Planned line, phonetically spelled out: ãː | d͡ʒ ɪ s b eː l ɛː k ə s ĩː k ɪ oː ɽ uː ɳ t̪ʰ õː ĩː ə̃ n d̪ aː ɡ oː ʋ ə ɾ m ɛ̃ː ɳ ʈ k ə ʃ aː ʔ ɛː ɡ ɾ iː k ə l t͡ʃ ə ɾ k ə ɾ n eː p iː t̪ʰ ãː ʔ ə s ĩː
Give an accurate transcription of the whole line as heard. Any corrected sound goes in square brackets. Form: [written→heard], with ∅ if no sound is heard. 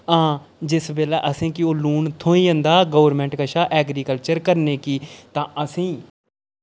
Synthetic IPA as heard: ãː | d͡ʒ ɪ s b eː l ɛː [k→ʔ] ə s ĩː k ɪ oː [ɽ→l] uː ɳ t̪ʰ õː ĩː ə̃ n d̪ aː ɡ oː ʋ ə ɾ m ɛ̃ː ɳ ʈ k ə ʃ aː ʔ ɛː ɡ ɾ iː k ə l t͡ʃ ə ɾ k ə ɾ n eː [p→k] iː [t̪ʰ→t̪] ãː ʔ ə s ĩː